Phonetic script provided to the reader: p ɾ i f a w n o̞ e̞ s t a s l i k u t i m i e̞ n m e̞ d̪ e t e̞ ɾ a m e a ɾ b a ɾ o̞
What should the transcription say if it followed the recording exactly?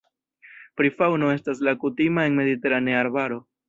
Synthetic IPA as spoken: p ɾ i f a w n o̞ e̞ s t a s l a k u t i m a e̞ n m e̞ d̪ i t e̞ ɾ a n e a ɾ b a ɾ o̞